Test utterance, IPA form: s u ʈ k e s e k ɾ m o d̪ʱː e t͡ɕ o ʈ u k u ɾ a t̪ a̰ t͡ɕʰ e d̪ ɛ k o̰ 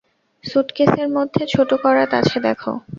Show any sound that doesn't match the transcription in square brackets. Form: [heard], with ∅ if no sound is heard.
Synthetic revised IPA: s u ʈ k e s e [∅] ɾ m o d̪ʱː e [t͡ɕʰ] o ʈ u k [ɔ] ɾ a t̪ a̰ t͡ɕʰ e d̪ ɛ [kʰ] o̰

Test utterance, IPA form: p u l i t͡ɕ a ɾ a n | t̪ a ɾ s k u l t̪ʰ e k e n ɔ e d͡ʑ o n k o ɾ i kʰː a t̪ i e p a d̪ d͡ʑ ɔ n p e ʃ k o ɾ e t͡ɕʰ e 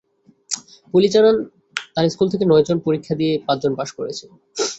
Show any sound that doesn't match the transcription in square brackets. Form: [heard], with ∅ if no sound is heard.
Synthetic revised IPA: p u l i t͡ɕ a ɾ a n | t̪ a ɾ s k u l t̪ʰ e k e n ɔ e d͡ʑ o n [p] o ɾ i kʰː a [d̪] i e p a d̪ d͡ʑ [o] n p [a] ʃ k o ɾ e t͡ɕʰ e

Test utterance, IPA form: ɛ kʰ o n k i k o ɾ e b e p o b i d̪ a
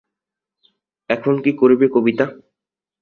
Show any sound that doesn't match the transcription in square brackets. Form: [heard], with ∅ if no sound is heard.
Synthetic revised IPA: ɛ kʰ o n k i k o ɾ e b e [k] o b i [t̪] a

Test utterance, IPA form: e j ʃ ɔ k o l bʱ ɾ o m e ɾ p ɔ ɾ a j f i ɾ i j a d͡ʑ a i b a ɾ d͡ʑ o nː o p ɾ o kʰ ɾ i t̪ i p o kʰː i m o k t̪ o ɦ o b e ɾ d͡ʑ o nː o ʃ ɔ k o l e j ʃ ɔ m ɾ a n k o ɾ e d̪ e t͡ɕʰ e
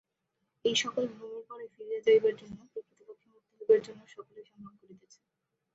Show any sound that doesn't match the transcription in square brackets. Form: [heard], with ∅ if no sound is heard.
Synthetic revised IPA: e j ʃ ɔ k o l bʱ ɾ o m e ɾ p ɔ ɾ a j f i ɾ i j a d͡ʑ a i b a ɾ d͡ʑ o nː o p ɾ o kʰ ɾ i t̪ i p o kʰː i m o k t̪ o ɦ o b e ɾ d͡ʑ o nː o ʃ ɔ k o l e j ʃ ɔ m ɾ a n k o ɾ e [t̪] e t͡ɕʰ e

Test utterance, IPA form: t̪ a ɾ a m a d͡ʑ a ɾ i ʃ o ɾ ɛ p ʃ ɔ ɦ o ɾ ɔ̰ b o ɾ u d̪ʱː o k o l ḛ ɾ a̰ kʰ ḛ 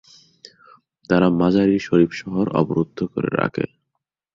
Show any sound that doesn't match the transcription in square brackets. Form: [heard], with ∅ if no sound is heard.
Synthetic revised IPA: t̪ a ɾ a m a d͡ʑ a ɾ i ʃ o ɾ [i] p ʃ ɔ ɦ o ɾ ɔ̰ b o ɾ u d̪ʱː o k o [ɾ] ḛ ɾ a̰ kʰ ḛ

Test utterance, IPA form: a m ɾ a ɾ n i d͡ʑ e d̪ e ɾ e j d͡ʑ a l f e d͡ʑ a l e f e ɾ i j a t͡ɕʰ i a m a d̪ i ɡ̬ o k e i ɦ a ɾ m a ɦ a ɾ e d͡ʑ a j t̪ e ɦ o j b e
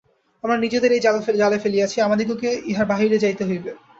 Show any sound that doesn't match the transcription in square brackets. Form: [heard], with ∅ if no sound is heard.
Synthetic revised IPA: a m ɾ a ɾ n i d͡ʑ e d̪ e ɾ e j d͡ʑ a l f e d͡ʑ a l e f e [l] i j a t͡ɕʰ i a m a d̪ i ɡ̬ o k e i ɦ a ɾ [b] a ɦ [i] ɾ e d͡ʑ a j t̪ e ɦ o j b e

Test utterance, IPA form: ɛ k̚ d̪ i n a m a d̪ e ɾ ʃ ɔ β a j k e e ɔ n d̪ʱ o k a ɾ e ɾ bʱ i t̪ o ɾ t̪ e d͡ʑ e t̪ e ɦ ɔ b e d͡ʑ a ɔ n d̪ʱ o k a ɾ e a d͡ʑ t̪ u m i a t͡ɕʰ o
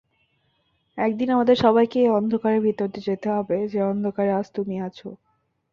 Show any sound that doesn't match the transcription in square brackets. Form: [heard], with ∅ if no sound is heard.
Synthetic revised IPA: ɛ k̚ d̪ i n a m a d̪ e ɾ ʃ ɔ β a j k e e ɔ n d̪ʱ o k a ɾ e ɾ bʱ i t̪ o ɾ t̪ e d͡ʑ e t̪ e ɦ ɔ b e d͡ʑ [e] ɔ n d̪ʱ o k a ɾ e a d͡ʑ t̪ u m i a t͡ɕʰ o

